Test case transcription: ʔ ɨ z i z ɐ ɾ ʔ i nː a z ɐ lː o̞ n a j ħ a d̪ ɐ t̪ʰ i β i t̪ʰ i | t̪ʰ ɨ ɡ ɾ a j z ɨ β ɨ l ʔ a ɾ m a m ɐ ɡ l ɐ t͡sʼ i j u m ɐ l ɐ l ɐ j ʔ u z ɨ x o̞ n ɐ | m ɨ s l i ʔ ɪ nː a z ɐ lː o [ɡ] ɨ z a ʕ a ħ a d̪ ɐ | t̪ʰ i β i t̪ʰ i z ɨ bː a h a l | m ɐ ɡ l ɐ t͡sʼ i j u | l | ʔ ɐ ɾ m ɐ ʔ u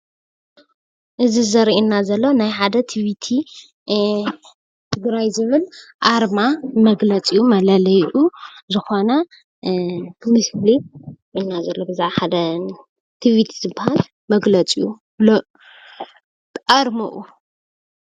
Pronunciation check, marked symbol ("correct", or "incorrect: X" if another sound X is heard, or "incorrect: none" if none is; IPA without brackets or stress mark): incorrect: b